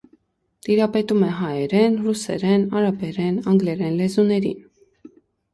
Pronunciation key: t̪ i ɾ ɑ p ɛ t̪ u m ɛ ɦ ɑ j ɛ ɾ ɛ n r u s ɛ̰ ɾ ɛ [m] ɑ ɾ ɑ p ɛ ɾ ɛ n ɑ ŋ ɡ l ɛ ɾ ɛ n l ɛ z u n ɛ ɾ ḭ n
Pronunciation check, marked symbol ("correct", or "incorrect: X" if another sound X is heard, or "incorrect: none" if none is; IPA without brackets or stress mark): incorrect: n